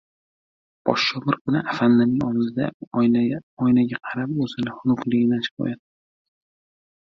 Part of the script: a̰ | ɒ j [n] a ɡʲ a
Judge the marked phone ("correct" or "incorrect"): correct